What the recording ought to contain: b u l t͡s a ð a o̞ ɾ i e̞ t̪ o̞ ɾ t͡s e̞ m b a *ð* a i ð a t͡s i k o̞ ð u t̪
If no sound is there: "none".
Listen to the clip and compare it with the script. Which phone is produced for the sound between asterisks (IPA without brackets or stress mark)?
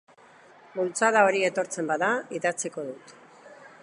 ð